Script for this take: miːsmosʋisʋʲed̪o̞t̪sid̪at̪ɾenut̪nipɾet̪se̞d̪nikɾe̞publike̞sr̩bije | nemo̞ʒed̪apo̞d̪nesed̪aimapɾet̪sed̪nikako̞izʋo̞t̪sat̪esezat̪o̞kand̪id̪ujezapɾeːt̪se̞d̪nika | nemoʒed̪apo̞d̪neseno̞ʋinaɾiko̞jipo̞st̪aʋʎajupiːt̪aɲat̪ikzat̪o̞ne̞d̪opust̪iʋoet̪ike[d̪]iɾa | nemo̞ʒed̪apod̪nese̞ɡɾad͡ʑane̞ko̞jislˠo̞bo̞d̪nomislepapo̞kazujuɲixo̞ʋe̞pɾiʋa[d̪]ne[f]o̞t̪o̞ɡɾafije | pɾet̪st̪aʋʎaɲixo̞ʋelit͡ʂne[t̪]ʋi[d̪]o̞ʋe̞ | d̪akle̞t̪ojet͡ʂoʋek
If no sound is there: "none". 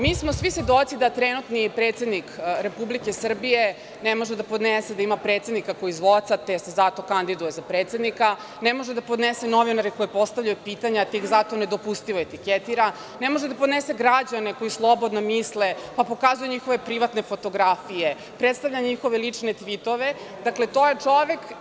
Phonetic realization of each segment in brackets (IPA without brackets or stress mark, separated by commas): t̪, t̪, f, t̪, t̪